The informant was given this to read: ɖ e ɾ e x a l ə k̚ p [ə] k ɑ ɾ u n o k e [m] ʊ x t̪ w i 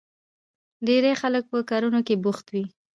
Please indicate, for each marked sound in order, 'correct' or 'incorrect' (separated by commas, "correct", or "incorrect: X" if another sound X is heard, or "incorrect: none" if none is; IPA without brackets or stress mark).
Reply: correct, incorrect: b